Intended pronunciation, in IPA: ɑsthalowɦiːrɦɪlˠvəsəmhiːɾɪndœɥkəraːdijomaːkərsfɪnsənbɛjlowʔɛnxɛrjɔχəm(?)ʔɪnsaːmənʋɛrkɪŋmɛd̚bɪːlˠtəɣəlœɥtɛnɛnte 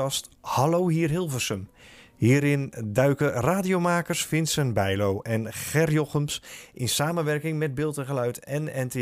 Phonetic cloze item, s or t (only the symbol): s